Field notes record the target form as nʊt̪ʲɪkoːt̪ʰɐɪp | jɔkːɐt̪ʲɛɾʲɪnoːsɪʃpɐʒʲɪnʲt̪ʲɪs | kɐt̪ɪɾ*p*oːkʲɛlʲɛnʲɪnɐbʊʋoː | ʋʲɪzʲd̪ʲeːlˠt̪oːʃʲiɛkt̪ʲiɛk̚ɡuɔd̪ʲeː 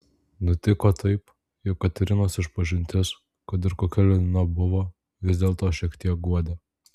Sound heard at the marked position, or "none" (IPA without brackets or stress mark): k